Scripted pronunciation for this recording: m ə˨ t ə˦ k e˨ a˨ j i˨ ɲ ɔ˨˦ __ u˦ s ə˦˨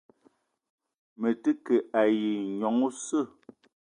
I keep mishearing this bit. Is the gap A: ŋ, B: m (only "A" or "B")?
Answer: A